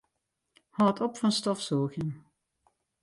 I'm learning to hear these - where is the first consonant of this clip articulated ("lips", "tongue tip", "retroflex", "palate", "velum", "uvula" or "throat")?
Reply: throat